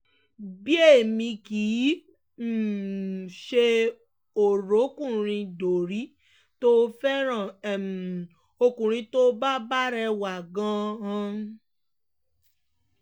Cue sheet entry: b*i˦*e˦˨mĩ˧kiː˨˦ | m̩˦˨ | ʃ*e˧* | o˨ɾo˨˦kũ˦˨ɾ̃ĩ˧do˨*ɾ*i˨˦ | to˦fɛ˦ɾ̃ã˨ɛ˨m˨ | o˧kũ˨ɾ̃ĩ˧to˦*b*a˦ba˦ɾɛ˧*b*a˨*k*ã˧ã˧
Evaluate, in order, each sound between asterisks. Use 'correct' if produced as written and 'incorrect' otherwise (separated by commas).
correct, correct, correct, correct, incorrect, incorrect